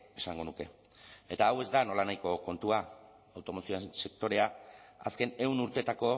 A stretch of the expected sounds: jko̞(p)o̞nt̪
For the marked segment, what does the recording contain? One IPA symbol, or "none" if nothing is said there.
k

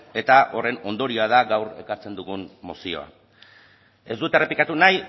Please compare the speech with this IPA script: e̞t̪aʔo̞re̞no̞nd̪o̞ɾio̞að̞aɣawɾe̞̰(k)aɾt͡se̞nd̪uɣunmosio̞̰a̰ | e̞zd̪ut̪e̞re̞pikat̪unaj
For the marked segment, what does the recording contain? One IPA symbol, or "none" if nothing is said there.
k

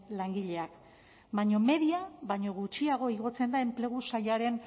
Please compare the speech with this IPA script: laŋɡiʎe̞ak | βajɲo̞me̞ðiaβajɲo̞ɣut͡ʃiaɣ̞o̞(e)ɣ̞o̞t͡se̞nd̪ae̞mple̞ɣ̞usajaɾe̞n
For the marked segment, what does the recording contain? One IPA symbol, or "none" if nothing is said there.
i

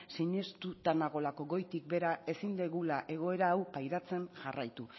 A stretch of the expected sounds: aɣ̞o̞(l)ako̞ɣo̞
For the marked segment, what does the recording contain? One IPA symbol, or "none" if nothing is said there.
l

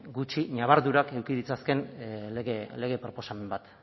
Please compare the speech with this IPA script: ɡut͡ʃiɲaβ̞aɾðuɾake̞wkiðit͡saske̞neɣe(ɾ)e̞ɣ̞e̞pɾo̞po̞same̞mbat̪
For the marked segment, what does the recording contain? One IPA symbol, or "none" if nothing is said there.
l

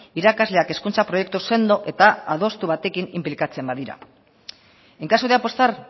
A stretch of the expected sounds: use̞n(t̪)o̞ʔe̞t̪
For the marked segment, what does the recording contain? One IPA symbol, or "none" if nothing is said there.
d̪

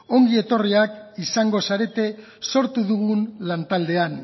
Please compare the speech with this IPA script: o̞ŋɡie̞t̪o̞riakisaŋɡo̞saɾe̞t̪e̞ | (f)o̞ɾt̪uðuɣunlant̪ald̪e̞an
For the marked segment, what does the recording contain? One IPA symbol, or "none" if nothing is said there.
s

